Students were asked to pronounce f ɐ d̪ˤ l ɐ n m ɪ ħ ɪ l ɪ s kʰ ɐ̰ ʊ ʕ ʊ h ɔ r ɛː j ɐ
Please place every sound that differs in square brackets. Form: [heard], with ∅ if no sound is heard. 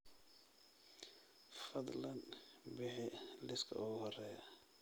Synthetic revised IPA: f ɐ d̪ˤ l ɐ n [b] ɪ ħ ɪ l ɪ s kʰ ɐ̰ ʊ [ɣ] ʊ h ɔ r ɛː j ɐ